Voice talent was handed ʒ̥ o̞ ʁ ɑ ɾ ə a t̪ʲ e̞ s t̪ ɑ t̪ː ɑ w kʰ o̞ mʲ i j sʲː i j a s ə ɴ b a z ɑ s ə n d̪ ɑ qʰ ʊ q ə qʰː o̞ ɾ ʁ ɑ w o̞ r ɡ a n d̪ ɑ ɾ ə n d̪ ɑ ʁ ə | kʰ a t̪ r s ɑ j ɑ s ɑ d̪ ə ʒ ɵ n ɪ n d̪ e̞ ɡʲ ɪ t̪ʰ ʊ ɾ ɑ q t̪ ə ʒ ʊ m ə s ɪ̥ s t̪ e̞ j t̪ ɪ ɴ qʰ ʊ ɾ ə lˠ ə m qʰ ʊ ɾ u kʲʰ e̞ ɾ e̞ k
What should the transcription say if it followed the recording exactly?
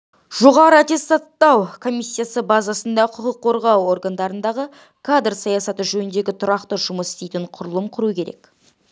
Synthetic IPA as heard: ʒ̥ o̞ ʁ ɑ ɾ ə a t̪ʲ e̞ s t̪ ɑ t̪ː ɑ w kʰ o̞ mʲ i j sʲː i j a s ə b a z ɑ s ə n d̪ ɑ qʰ ʊ q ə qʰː o̞ ɾ ʁ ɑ w o̞ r ɡ a n d̪ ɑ ɾ ə n d̪ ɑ ʁ ə | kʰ a d̪ r s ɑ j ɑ s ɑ t̪ ə ʒ ɵ n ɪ n d̪ e̞ ɡʲ ɪ t̪ʰ ʊ ɾ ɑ q t̪ ə ʒ ʊ m ə s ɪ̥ s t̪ e̞ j t̪ ɪ ɴ qʰ ʊ ɾ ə lˠ ə m qʰ ʊ ɾ u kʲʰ e̞ ɾ e̞ k